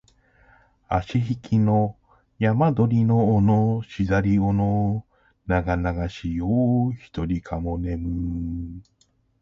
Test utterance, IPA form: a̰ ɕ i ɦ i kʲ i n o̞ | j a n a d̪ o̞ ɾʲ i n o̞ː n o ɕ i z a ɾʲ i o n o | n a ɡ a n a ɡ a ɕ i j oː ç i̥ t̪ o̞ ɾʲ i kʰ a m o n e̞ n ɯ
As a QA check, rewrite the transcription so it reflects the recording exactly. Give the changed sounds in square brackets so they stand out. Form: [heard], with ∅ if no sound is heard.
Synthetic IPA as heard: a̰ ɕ i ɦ i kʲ i n o̞ | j a [m] a d̪ o̞ ɾʲ i n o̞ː n o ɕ i z a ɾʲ i o n o | n a ɡ a n a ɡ a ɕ i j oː ç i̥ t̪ o̞ ɾʲ i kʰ a m o n e̞ [m] ɯ